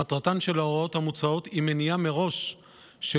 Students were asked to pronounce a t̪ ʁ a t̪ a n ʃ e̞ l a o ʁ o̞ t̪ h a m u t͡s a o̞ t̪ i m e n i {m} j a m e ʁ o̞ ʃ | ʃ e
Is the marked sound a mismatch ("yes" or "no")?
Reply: yes